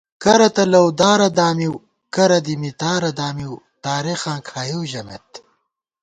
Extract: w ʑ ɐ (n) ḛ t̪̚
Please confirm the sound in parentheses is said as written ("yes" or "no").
no